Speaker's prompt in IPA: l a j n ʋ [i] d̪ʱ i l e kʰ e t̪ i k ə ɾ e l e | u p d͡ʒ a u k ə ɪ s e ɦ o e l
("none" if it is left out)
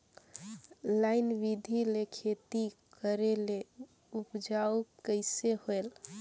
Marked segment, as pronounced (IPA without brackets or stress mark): i